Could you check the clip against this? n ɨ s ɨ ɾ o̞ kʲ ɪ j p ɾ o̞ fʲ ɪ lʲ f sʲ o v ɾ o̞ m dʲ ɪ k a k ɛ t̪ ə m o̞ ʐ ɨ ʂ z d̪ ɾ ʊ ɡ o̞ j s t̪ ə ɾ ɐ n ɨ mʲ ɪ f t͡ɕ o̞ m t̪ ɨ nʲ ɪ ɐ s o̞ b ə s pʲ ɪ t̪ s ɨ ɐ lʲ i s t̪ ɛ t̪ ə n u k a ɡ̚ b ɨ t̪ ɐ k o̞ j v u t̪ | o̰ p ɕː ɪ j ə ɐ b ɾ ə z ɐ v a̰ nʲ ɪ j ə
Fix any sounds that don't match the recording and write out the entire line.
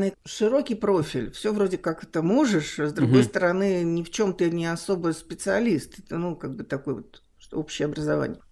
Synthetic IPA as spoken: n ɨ ʂ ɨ ɾ o̞ kʲ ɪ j p ɾ o̞ fʲ ɪ lʲ f sʲ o v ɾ o̞ dʲ ɪ k a k ɛ t̪ ə m o̞ ʐ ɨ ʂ z d̪ ɾ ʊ ɡ o̞ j s t̪ ə ɾ ɐ n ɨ nʲ ɪ f t͡ɕ o̞ m t̪ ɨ nʲ ɪ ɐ s o̞ b ə s pʲ ɪ t̪ s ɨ ɐ lʲ i s t̪ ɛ t̪ ə n u k a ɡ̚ b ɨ t̪ ɐ k o̞ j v o t̪ | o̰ p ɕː ɪ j ə ɐ b ɾ ə z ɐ v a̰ nʲ ɪ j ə